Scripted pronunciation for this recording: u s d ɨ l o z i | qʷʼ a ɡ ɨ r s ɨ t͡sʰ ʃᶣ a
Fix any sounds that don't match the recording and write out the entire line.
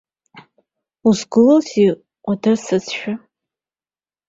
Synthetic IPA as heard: u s ɡ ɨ l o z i | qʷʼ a d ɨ r s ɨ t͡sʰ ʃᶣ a